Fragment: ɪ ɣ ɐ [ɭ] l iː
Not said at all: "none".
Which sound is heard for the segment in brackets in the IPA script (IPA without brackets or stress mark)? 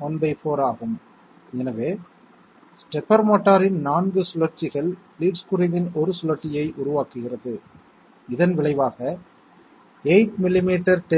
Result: ɭ